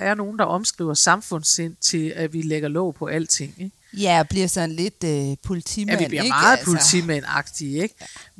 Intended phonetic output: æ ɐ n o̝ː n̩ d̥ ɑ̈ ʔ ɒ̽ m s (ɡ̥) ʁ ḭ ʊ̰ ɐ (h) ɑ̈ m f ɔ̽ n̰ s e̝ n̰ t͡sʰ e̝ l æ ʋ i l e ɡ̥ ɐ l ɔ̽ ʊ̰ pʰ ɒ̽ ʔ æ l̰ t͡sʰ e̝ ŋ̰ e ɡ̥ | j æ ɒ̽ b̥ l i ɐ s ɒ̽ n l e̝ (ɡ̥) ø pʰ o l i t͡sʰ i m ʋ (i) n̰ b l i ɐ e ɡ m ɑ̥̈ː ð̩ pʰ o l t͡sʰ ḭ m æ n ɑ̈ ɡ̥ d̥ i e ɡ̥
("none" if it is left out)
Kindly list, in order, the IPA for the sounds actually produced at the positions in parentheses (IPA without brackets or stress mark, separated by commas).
ɡ̥, s, d̥, i